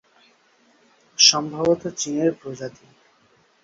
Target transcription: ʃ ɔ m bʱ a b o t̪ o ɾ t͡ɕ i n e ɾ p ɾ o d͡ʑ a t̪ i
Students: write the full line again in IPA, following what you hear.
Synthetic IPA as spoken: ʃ ɔ m bʱ a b o t̪ o t͡ɕ i n e ɾ p ɾ o d͡ʑ a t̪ i